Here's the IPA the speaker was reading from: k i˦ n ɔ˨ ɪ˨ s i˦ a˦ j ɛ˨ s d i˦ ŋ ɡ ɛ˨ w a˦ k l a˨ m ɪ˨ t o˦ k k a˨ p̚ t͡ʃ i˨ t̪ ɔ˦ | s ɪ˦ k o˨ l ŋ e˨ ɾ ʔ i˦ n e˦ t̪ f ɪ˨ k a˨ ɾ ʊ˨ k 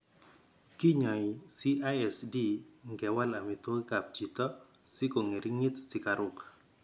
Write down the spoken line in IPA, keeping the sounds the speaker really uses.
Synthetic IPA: k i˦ ɲ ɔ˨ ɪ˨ s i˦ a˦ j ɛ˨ s d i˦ ŋ ɡ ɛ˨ w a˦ l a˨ m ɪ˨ t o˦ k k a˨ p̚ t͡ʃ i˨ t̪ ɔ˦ | s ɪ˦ k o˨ ŋ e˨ ɾ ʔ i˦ ŋ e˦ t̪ s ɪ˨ k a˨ ɾ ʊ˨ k